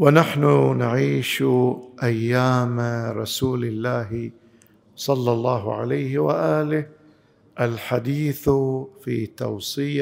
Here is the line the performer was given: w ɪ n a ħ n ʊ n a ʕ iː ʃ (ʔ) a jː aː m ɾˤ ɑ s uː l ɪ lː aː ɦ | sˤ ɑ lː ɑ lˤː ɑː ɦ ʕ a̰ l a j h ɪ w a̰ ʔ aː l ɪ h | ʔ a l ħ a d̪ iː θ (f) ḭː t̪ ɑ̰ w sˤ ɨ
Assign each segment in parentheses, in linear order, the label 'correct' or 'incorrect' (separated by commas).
correct, correct